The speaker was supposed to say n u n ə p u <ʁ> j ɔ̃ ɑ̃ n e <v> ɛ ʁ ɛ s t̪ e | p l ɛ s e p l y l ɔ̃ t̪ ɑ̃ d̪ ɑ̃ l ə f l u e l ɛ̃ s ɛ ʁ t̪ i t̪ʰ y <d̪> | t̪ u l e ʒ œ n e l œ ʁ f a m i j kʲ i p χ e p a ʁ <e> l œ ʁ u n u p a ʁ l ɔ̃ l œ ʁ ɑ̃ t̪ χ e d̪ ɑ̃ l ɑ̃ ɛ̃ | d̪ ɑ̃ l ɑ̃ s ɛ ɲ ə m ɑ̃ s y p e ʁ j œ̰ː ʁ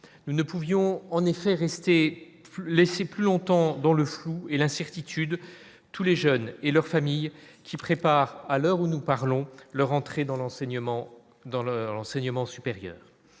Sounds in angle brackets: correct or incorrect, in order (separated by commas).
incorrect, incorrect, correct, incorrect